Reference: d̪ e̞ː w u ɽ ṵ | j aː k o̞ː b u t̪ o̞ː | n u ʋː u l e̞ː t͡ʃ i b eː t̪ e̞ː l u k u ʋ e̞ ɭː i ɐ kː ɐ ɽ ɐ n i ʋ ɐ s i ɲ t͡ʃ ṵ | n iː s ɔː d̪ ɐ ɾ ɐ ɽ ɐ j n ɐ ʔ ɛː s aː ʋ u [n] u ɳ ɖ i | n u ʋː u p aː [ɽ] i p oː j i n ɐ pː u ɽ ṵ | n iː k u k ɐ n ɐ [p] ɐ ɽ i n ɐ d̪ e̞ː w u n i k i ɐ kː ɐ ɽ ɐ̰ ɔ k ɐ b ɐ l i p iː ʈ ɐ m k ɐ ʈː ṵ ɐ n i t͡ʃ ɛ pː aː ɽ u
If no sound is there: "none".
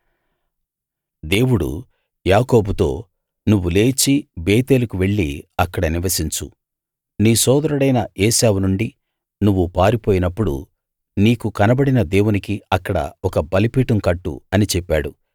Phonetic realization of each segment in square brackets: n, ɾ, b

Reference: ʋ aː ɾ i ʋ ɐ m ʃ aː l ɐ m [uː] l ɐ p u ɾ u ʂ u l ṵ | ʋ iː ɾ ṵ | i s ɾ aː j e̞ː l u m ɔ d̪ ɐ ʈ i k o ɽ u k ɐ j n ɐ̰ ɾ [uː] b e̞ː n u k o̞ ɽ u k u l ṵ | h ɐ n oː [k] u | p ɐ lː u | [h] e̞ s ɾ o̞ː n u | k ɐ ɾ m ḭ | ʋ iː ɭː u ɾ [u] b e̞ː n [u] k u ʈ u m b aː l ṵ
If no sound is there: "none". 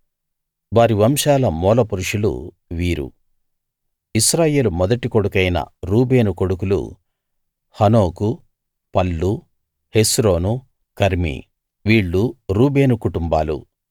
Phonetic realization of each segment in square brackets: ɔː, uː, k, h, uː, u

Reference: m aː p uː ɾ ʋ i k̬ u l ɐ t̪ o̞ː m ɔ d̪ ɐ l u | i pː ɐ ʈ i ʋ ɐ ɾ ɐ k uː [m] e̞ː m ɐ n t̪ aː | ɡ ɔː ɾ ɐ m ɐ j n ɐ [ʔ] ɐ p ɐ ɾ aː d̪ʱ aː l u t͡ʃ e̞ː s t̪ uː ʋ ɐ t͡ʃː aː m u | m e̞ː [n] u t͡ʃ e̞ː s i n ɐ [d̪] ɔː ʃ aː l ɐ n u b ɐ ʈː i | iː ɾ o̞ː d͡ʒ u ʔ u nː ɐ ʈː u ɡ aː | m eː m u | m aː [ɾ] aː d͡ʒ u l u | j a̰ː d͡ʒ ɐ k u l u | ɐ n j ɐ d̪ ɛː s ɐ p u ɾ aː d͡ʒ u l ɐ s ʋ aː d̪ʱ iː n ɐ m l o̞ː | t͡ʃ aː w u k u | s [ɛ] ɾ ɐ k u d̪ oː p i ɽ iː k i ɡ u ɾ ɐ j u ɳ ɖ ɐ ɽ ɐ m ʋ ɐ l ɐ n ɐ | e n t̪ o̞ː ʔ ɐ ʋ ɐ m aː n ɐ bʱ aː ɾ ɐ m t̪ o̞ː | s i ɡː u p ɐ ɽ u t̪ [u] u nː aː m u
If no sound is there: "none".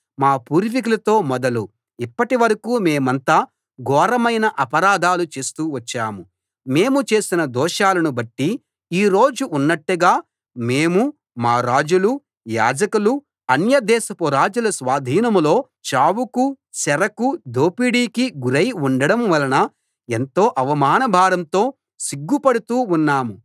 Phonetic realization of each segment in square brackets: m, ʔ, m, d̪, ɾ, ɛ, uː

